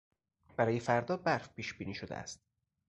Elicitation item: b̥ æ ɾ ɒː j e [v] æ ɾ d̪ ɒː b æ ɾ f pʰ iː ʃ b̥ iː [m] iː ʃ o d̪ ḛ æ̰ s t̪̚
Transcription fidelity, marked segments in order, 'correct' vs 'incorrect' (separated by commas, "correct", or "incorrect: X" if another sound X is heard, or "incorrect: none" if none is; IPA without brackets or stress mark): incorrect: f, incorrect: n